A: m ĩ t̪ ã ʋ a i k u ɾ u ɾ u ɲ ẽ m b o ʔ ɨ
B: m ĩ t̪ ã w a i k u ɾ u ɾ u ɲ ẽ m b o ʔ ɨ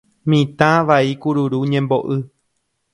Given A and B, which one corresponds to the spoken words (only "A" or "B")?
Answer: A